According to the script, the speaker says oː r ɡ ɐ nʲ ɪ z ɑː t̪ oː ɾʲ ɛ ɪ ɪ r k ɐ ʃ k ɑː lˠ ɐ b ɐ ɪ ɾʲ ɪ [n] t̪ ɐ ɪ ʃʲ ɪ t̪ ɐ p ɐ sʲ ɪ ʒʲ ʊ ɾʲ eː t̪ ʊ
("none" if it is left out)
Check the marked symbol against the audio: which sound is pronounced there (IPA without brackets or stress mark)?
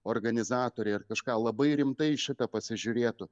m